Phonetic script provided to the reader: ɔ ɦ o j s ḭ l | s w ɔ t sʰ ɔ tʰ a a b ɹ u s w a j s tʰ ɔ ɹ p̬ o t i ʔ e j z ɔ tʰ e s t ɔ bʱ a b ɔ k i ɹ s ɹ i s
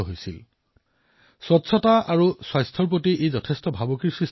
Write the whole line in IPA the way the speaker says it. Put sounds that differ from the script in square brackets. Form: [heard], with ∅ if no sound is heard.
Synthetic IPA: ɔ ɦ o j s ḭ l | s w ɔ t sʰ ɔ [t] a a [∅] ɹ u s w a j s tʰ ɔ ɹ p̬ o t i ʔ e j z ɔ tʰ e s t ɔ bʱ a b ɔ k i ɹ s ɹ i s